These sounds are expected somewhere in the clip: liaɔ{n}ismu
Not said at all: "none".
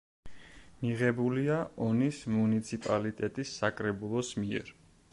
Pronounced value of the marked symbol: n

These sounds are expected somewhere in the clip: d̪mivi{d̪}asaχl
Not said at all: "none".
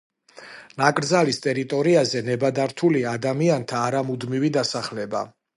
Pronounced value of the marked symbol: d̪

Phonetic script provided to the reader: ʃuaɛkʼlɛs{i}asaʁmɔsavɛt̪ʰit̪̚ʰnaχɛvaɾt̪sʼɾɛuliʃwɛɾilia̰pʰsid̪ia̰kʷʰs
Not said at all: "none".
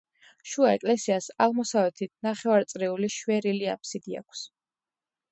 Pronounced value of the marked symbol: i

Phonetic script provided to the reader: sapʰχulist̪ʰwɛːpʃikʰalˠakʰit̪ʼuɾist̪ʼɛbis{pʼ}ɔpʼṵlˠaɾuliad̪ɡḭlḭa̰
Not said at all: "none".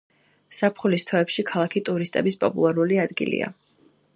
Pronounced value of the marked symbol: pʼ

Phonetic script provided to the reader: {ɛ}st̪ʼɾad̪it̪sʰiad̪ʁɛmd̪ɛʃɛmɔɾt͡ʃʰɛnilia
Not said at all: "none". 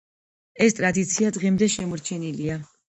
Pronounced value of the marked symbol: ɛ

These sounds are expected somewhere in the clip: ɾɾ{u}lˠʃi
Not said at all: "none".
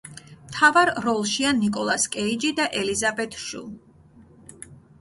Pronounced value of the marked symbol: ɔ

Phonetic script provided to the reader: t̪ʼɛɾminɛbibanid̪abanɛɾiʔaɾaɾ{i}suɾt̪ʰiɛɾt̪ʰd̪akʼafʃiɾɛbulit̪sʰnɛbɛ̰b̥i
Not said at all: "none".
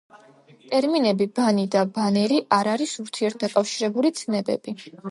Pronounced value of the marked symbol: i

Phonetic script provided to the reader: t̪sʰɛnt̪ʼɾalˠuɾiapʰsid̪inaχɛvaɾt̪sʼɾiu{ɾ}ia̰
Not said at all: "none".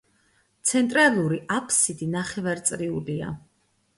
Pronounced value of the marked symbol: l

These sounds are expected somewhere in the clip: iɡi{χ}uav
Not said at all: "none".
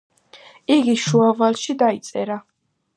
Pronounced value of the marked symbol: ʃ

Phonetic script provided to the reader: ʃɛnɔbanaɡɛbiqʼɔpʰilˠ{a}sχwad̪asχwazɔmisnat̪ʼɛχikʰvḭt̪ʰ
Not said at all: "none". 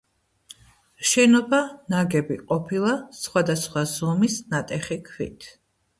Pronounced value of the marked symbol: a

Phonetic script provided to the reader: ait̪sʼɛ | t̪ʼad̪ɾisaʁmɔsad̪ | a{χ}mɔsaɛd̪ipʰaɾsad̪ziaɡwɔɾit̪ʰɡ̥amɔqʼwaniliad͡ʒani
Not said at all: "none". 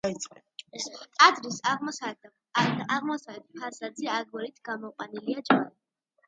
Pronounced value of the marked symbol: ʁ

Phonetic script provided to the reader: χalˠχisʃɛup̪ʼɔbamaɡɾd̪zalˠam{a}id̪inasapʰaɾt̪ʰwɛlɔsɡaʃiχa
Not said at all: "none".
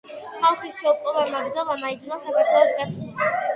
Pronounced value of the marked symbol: a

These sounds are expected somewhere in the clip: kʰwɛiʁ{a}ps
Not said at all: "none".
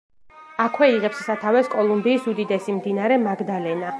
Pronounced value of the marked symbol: ɛ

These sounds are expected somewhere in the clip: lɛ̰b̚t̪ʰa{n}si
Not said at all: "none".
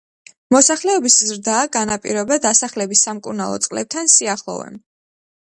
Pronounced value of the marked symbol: n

